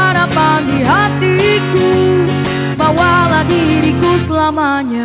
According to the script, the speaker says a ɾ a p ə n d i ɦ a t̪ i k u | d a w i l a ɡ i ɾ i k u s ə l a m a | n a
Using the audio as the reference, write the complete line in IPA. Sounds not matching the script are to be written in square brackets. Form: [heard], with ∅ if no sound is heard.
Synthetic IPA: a ɾ a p [a] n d i ɦ a t̪ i k u | [b] a w [a] l a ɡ i ɾ i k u s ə l a m a | [ɲ] a